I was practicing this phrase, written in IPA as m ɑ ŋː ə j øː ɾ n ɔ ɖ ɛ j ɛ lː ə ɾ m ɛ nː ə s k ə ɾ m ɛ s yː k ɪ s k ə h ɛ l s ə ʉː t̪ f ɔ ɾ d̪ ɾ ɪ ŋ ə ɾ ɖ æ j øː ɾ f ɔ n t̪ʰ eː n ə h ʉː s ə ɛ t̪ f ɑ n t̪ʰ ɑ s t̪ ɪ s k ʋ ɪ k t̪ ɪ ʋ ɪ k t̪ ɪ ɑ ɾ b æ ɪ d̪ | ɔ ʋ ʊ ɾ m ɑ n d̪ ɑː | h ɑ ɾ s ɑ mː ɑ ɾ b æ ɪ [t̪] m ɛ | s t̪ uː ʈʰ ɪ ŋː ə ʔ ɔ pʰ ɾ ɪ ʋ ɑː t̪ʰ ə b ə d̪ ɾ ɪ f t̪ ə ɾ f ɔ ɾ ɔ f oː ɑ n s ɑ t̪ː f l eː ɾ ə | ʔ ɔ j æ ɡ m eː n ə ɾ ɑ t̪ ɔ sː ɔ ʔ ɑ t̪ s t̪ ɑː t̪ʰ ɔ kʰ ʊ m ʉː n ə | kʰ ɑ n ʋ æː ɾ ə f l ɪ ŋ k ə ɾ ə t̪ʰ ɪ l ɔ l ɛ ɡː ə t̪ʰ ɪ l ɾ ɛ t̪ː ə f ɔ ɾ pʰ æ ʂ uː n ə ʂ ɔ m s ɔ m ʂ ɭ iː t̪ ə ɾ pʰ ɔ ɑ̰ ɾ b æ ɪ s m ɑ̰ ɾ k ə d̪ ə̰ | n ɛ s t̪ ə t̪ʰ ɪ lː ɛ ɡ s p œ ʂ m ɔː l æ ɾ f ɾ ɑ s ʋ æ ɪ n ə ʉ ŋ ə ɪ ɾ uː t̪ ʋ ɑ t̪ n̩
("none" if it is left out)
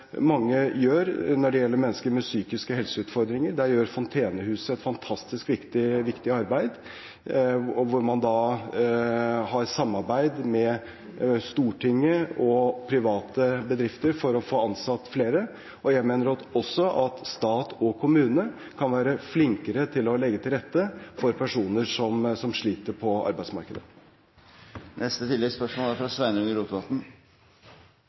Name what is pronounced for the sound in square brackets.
d̪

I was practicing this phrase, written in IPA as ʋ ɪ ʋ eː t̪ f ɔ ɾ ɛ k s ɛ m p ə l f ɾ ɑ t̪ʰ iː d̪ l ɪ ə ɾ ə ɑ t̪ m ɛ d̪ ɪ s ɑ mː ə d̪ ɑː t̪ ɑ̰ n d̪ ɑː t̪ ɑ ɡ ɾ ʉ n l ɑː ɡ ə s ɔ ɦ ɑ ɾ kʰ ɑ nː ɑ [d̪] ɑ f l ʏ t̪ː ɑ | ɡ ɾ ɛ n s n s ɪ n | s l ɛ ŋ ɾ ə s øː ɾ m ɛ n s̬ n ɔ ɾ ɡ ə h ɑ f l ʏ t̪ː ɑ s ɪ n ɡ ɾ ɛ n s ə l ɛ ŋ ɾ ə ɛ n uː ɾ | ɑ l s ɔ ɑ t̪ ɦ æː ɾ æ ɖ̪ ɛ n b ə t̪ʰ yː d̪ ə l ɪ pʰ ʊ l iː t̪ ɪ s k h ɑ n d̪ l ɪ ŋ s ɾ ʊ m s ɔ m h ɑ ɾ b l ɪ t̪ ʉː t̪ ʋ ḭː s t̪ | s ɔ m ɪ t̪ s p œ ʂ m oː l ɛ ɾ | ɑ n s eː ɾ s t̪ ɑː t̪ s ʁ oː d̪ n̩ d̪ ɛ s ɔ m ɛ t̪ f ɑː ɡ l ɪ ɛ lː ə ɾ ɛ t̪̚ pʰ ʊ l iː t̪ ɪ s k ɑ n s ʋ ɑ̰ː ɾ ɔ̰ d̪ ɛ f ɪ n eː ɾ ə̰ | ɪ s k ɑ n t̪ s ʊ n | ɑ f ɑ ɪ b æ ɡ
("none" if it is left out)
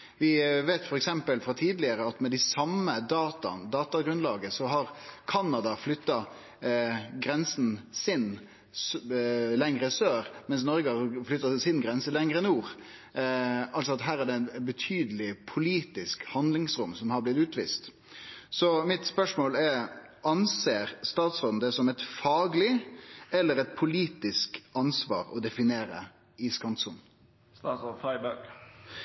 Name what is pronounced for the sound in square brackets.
d̪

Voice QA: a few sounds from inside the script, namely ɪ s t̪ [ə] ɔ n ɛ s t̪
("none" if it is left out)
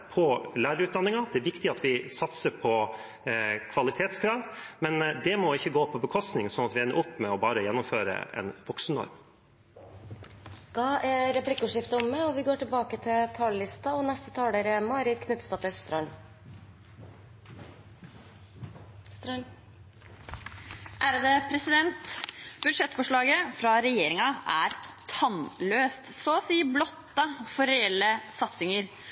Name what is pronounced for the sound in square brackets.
ɑ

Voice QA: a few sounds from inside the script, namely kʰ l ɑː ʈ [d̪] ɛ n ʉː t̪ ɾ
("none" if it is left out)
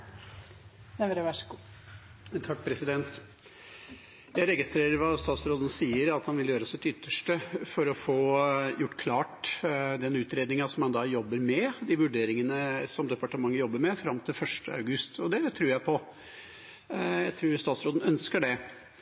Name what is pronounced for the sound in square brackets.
d̪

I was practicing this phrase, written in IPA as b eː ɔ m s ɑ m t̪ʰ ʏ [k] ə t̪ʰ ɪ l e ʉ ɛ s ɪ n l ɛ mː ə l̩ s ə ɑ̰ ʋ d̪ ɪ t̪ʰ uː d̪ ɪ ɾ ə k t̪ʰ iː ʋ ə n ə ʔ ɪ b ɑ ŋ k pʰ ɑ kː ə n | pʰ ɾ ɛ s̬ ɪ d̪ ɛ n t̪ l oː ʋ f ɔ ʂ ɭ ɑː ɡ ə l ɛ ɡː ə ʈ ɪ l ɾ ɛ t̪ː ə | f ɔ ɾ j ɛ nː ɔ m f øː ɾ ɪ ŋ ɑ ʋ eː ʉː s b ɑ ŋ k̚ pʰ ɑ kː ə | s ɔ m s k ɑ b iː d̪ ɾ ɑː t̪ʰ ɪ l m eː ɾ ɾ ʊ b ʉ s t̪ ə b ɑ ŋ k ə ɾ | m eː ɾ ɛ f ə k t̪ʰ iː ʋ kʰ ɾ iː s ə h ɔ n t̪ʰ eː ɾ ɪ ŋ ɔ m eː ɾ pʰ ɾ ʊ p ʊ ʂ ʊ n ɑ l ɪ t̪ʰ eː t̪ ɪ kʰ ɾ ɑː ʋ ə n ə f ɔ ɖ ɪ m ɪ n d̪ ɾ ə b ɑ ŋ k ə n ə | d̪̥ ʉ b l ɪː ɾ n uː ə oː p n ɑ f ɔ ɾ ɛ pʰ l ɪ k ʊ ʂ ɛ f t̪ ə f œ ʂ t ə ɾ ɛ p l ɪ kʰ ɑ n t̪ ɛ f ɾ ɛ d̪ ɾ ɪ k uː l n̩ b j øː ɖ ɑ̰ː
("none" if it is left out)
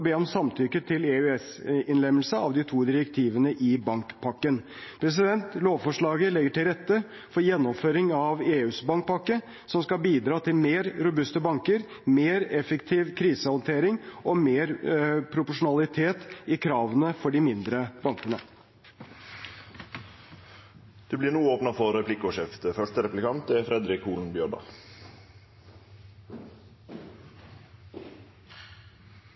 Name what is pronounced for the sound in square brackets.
k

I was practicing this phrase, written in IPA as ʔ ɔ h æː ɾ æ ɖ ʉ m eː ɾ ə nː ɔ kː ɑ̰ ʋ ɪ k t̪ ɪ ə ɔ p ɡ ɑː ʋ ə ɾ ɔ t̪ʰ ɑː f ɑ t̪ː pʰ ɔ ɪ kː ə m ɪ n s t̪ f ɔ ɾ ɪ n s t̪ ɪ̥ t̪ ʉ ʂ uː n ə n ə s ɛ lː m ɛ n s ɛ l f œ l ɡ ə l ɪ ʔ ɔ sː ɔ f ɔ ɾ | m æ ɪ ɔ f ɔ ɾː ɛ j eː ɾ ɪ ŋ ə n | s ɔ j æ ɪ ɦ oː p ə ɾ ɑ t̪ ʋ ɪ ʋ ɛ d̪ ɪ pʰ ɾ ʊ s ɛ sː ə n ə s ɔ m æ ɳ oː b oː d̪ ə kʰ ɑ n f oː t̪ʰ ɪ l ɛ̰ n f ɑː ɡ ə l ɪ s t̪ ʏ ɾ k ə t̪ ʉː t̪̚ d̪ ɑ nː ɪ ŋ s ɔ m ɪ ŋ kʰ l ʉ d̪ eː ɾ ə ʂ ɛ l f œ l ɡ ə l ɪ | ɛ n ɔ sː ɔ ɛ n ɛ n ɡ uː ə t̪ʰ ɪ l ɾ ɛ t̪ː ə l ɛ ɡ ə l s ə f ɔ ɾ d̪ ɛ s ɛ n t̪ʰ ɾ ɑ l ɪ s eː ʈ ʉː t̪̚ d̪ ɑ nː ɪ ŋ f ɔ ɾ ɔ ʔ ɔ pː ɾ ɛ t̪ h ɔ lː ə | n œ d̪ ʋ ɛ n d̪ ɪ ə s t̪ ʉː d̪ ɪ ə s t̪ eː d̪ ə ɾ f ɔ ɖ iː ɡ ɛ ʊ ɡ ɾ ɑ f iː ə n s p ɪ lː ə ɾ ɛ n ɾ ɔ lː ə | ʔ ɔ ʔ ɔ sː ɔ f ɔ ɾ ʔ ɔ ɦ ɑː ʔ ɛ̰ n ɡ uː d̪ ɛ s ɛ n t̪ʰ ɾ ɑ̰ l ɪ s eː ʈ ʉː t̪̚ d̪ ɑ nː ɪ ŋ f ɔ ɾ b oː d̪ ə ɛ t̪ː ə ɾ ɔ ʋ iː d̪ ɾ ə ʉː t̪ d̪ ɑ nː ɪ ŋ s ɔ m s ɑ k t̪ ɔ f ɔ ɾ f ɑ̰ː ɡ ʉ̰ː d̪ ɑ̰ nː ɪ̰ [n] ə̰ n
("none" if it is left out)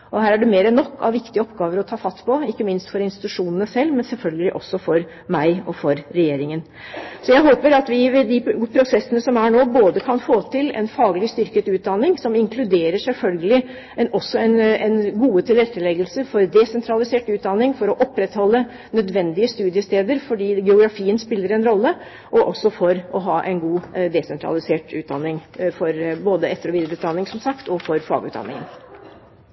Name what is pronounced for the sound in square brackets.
ŋ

